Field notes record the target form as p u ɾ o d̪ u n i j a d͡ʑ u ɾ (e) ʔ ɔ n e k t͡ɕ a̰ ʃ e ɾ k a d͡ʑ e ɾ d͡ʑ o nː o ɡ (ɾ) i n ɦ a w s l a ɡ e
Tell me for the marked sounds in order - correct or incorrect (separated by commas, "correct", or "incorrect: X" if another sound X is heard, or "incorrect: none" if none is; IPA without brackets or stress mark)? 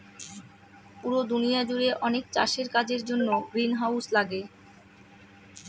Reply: correct, correct